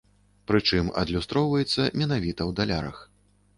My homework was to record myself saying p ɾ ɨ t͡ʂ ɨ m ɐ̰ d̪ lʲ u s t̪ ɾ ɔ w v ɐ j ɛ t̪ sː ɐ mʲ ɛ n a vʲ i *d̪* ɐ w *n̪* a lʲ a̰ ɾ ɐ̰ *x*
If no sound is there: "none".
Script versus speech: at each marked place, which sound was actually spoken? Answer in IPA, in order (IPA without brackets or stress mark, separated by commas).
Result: t̪, d̪, x